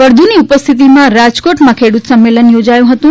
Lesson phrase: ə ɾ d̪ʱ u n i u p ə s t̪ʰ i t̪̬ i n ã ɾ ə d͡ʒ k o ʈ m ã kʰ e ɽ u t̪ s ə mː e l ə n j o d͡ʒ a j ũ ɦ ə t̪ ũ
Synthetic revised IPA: ə ɾ d̪ʱ u n i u p ə s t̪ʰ i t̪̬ i m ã ɾ a d͡ʒ k o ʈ m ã kʰ e ɽ u t̪ s ə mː e l ə n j o d͡ʒ a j ũ ɦ ə t̪ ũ